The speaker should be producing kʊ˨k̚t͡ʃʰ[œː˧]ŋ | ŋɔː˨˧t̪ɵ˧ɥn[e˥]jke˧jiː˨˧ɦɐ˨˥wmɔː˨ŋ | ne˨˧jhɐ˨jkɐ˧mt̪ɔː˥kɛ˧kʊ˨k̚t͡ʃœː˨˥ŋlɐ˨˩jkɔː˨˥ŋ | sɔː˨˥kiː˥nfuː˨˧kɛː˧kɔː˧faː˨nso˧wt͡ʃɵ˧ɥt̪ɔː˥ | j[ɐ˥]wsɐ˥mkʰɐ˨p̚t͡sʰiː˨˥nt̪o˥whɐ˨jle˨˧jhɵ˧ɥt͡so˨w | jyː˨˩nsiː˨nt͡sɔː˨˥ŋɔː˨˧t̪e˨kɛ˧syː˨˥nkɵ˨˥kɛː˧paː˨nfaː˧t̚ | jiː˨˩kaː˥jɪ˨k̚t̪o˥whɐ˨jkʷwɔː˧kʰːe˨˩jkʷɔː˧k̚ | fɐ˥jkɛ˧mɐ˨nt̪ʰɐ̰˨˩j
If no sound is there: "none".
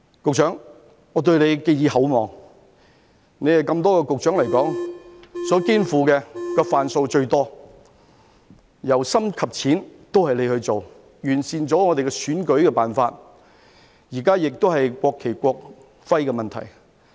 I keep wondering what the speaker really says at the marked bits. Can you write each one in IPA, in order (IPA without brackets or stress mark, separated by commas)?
œː˨˥, e˨˧, ɐ˨˩